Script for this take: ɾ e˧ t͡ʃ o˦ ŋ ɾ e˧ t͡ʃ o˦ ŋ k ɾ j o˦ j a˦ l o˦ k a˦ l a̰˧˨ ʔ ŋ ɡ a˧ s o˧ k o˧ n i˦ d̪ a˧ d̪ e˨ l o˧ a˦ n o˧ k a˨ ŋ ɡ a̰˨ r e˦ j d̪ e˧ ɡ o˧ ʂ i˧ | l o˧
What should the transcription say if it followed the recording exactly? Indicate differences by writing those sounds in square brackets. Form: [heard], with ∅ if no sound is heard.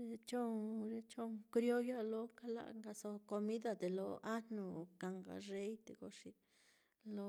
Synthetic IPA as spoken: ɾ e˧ t͡ʃ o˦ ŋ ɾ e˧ t͡ʃ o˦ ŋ k ɾ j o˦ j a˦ l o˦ k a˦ l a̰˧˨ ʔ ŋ ɡ a˧ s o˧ k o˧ [m] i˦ d̪ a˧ d̪ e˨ l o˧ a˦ n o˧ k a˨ ŋ ɡ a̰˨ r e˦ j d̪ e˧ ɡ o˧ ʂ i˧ | l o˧